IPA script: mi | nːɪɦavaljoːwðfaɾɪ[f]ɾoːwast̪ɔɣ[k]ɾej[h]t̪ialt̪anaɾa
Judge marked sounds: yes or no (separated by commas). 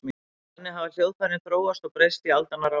no, no, no